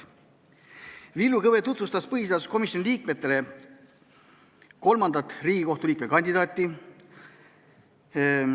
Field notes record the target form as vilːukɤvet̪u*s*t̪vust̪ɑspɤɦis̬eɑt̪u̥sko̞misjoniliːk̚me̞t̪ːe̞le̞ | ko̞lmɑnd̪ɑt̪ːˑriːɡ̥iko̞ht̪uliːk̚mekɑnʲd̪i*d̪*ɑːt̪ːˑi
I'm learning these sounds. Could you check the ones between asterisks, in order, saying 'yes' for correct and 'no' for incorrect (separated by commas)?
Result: no, yes